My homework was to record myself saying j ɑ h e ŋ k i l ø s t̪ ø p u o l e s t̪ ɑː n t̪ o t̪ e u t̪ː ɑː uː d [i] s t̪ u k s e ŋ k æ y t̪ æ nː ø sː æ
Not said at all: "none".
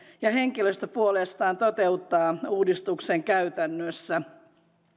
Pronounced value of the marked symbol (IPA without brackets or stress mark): i